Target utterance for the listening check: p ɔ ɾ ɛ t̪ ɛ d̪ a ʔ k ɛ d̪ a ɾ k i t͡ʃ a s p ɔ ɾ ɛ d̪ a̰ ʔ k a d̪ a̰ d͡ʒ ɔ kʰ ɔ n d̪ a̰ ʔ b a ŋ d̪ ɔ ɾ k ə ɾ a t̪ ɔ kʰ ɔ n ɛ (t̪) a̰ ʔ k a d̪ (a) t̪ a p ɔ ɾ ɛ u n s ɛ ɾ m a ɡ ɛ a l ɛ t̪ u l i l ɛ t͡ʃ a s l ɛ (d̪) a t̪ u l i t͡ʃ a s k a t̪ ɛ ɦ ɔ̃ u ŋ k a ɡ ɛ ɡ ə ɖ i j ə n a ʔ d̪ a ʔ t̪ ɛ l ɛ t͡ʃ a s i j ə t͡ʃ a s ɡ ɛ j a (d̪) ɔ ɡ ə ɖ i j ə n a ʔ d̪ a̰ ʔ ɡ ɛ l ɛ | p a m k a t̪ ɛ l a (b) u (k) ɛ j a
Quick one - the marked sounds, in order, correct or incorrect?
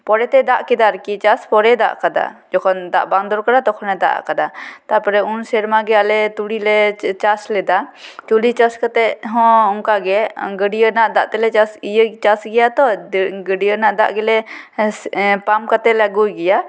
incorrect, correct, correct, incorrect, incorrect, incorrect

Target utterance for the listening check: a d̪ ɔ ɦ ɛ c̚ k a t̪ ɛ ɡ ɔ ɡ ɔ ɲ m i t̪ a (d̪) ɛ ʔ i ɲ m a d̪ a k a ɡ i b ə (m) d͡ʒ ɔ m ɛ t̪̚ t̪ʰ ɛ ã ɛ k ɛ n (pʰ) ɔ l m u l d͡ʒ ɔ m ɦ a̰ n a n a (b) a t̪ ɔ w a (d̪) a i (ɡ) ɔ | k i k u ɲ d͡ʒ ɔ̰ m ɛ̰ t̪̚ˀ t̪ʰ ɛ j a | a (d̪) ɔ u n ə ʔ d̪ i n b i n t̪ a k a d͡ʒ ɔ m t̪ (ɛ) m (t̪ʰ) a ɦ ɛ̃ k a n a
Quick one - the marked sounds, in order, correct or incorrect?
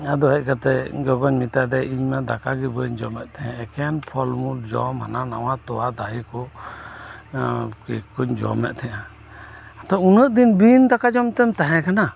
correct, incorrect, correct, incorrect, correct, incorrect, incorrect, correct, incorrect

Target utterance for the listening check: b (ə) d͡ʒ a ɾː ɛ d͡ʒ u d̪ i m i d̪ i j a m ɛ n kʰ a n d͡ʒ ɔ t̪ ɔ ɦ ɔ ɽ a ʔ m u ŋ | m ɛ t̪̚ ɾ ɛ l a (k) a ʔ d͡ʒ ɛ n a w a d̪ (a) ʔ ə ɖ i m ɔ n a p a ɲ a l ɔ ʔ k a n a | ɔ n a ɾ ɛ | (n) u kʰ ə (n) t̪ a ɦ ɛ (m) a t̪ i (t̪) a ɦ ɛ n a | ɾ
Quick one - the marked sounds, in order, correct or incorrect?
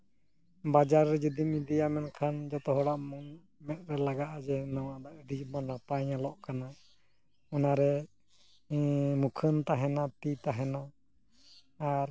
incorrect, incorrect, correct, incorrect, correct, incorrect, correct

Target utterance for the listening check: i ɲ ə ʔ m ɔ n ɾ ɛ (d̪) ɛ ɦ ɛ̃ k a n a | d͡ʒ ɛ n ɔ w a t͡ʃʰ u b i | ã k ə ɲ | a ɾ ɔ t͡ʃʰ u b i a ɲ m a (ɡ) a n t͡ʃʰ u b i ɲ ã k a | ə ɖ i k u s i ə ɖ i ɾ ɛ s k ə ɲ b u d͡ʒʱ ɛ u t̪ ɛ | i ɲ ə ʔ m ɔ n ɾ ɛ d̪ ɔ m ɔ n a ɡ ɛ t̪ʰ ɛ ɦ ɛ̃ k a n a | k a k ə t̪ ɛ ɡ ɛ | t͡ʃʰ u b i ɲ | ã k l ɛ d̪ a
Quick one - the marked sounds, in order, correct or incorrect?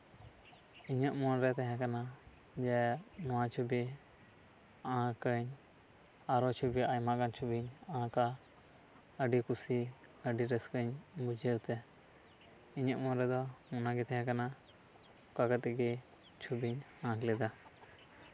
incorrect, correct

